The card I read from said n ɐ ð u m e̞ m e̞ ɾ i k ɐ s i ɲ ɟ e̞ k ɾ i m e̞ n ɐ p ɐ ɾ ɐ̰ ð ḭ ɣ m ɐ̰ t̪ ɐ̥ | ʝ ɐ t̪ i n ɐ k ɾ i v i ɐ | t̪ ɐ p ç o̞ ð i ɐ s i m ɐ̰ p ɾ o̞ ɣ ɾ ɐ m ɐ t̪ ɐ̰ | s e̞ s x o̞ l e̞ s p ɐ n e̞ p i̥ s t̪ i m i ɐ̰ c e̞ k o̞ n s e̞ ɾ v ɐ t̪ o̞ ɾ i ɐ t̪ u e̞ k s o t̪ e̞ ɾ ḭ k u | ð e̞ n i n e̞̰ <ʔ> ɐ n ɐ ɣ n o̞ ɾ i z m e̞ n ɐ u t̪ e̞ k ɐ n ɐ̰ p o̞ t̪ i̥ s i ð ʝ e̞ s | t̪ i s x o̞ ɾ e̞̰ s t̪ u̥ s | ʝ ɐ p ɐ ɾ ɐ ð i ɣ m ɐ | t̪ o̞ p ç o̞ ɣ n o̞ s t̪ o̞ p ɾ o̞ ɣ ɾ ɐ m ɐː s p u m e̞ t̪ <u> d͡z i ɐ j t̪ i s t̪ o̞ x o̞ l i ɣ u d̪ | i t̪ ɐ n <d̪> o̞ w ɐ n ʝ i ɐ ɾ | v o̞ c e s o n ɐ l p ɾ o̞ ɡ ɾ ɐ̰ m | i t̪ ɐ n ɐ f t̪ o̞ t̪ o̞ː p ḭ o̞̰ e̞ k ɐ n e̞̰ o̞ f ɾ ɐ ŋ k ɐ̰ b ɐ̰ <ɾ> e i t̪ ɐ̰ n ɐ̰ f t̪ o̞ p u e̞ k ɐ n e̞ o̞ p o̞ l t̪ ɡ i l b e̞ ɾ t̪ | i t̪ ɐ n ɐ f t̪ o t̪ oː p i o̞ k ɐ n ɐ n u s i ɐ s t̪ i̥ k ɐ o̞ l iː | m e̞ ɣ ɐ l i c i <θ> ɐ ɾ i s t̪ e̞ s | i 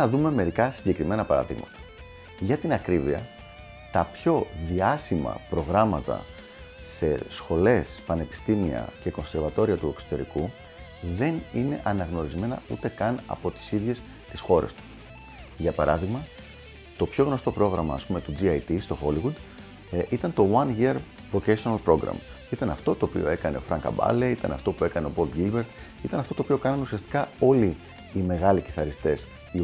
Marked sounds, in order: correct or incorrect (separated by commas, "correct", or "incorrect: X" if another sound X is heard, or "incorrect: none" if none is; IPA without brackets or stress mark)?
correct, correct, incorrect: t̪, incorrect: l, correct